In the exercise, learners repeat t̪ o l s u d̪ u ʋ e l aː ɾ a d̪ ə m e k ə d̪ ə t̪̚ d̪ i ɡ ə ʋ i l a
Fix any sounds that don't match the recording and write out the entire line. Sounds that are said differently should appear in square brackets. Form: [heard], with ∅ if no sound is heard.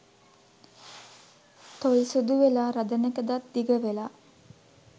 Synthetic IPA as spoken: t̪ o l s u d̪ u ʋ e l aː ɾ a d̪ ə [n] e k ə d̪ [a] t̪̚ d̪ i ɡ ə ʋ [e] l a